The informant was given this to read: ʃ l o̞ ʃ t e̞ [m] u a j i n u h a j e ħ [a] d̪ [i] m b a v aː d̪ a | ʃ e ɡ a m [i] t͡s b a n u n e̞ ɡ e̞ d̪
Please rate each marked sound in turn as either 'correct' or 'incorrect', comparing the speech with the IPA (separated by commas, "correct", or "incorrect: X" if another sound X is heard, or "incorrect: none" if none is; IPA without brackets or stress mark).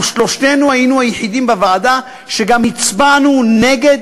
incorrect: n, incorrect: i, correct, correct